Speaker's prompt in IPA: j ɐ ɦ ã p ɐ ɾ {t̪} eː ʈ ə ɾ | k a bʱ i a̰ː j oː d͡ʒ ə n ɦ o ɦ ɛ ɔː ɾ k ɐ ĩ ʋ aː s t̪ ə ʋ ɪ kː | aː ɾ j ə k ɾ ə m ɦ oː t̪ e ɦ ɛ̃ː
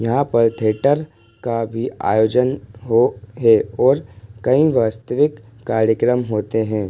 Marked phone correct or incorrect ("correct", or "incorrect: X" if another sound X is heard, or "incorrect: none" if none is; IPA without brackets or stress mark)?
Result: incorrect: t̪ʰ